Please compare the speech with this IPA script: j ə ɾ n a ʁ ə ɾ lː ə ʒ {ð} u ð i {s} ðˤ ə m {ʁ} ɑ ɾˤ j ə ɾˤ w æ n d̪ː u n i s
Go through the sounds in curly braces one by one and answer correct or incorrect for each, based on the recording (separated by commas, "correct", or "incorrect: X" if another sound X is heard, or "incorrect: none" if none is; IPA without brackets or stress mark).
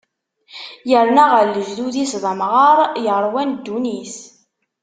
correct, correct, correct